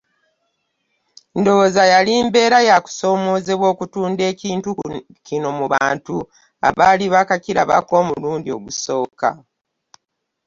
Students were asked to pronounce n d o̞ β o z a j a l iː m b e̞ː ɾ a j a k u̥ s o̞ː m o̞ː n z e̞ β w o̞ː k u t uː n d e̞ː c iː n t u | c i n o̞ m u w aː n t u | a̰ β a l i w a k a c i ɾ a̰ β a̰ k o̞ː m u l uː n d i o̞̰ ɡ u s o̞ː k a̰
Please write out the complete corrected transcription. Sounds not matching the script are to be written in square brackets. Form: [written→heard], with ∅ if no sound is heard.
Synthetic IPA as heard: n d o̞ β o z a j a l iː m b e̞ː ɾ a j a k u̥ s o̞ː m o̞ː [n→∅] z e̞ β w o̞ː k u t uː n d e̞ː c iː n t u | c i n o̞ m u [w→β] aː n t u | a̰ β a l i [w→β] a k a c i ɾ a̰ β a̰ k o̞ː m u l uː n d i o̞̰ ɡ u s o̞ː k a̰